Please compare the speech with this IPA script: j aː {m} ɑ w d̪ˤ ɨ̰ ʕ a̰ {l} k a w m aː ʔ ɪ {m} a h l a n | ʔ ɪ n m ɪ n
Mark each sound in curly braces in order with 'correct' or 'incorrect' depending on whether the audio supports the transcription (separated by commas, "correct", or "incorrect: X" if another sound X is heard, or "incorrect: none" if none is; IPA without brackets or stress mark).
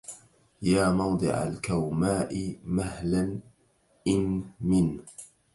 correct, correct, correct